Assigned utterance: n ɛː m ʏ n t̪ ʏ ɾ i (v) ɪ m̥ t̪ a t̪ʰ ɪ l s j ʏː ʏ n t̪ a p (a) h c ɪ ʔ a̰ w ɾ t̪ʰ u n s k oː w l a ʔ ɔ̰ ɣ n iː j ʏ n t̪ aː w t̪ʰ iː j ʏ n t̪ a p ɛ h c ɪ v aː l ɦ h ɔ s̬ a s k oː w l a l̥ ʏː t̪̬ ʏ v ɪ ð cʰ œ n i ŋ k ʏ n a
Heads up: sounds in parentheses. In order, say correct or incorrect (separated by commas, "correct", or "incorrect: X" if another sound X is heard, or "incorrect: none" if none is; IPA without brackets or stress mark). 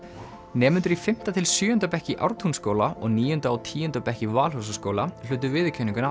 incorrect: f, incorrect: ɛ